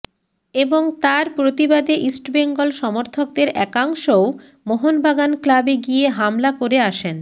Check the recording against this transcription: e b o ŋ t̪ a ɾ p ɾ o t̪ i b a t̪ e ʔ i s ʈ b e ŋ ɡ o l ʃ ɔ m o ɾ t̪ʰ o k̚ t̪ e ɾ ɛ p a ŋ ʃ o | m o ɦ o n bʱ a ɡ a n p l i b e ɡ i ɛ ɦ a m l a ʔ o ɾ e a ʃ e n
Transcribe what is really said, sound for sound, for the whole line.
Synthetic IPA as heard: e b o ŋ t̪ a ɾ p ɾ o t̪ i b a d̪ e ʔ i s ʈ b e ŋ ɡ o l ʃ ɔ m o ɾ t̪ʰ o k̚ d̪ e ɾ ɛ k a ŋ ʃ o | m o ɦ o n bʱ a ɡ a n k l a b e ɡ i e ɦ a m l a k o ɾ e a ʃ e n